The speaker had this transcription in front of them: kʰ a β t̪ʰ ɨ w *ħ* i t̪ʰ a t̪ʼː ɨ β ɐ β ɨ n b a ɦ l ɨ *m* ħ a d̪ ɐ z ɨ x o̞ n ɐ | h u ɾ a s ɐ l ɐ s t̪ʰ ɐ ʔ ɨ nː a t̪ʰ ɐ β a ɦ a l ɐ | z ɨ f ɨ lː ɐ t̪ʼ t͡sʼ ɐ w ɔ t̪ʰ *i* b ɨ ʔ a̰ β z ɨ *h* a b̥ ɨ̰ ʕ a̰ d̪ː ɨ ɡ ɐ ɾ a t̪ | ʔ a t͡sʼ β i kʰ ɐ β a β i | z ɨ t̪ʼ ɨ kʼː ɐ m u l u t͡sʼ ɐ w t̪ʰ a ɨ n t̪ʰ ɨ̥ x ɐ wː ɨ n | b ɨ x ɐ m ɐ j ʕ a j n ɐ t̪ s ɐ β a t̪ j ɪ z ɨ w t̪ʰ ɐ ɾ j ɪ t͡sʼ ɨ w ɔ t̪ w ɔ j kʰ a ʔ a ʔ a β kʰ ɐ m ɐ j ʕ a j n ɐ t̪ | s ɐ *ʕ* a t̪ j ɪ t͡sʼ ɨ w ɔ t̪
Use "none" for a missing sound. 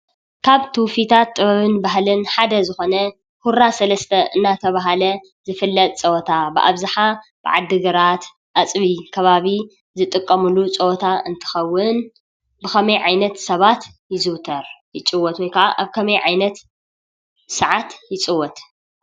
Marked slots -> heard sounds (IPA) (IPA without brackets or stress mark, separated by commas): f, n, a, ħ, ʕ